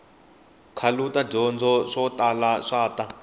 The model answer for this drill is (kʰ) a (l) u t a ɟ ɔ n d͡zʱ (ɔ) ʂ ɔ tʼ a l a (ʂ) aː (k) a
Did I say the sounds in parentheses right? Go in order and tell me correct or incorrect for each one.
correct, correct, correct, correct, incorrect

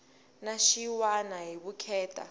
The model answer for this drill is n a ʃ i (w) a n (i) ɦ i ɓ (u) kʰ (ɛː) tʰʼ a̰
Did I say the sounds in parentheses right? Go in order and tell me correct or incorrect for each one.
correct, incorrect, correct, correct

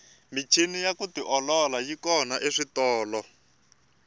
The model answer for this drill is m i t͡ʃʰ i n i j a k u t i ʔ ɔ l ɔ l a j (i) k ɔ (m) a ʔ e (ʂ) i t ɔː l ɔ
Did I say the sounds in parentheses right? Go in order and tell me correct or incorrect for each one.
correct, incorrect, correct

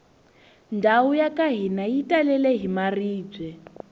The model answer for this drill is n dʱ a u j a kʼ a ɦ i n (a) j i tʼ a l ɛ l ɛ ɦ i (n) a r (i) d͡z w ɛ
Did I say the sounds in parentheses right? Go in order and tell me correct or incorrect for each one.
correct, incorrect, incorrect

